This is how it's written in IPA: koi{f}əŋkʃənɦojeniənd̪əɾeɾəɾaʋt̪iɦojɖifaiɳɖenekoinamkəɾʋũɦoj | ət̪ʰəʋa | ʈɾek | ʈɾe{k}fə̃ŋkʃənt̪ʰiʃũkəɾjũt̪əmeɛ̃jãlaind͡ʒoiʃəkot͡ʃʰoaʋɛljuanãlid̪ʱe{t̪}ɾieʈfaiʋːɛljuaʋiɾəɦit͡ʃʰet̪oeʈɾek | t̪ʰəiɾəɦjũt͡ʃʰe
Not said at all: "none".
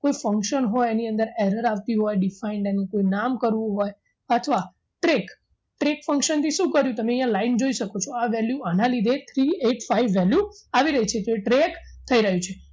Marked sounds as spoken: f, k, t̪ʰ

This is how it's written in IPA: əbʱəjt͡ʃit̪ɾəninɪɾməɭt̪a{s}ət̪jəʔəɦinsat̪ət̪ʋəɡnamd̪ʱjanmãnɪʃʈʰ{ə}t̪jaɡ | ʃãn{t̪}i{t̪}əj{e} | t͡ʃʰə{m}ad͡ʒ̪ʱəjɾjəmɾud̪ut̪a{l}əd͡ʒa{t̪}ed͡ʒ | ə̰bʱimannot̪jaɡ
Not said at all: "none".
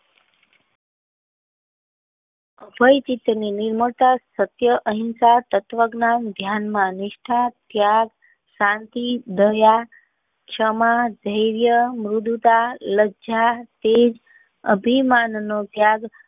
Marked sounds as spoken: s, a, t̪, d̪, a, m, l, t̪

